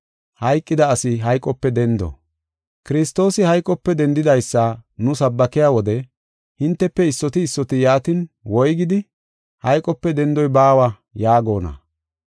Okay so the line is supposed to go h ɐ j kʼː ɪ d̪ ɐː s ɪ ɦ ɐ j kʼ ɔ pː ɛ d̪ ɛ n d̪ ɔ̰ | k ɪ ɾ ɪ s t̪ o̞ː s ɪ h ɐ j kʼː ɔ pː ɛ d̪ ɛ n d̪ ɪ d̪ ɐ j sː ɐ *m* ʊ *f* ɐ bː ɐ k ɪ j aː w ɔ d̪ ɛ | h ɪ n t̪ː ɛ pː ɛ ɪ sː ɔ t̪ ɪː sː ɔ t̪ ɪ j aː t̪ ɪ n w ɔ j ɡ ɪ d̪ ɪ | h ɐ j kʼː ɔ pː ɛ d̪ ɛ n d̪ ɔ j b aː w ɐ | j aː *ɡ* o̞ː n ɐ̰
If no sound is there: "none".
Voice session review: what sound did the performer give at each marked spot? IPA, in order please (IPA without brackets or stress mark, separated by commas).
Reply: n, s, ɡ